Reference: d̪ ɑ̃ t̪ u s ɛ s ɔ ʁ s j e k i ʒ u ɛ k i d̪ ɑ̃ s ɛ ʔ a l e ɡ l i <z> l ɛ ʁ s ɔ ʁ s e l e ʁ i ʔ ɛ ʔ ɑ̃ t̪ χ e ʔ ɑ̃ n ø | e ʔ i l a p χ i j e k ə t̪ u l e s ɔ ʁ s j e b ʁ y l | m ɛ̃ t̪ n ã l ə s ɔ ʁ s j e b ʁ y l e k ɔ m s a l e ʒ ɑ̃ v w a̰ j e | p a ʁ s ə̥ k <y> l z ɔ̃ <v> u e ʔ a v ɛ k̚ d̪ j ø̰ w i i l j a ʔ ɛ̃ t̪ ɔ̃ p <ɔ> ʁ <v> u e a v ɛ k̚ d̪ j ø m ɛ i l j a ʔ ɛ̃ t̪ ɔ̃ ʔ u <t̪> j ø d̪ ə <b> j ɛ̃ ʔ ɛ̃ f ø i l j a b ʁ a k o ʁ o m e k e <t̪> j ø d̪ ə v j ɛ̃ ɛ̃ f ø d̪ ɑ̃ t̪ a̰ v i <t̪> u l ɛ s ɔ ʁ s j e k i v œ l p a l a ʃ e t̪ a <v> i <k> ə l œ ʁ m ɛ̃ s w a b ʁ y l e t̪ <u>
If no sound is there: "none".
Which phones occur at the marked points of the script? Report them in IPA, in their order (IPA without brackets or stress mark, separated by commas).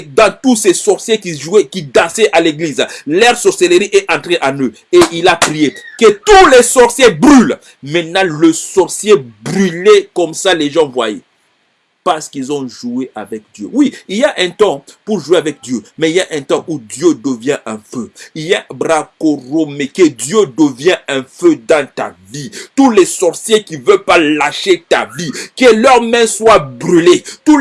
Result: z, i, ʒ, u, ʒ, d̪, v, d̪, t̪, v, k, u